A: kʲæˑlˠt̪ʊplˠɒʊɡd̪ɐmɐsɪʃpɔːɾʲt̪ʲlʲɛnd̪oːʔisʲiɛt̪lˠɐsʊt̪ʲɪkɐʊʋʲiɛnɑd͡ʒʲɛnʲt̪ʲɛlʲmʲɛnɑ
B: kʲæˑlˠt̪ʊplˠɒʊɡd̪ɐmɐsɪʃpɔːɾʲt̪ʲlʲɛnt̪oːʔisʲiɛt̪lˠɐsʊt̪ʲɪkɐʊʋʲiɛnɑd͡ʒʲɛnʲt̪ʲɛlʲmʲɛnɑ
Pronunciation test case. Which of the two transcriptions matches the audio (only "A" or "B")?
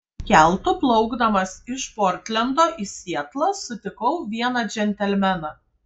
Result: A